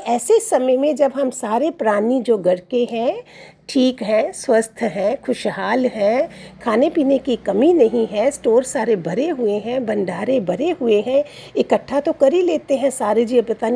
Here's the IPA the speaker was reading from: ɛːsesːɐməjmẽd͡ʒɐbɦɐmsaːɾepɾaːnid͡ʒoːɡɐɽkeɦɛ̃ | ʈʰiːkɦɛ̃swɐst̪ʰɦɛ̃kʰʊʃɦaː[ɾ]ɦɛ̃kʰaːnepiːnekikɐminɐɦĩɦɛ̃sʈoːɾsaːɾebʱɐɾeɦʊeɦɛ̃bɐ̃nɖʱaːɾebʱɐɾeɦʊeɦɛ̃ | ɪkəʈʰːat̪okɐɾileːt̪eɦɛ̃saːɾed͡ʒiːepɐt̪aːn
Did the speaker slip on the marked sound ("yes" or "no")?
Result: yes